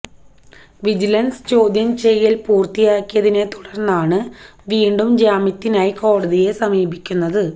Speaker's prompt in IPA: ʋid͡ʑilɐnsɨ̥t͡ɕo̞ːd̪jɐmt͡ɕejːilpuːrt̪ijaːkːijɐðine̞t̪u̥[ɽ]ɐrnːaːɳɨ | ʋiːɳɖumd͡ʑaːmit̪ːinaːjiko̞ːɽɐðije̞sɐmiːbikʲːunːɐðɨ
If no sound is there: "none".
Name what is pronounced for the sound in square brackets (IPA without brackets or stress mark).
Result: ɽ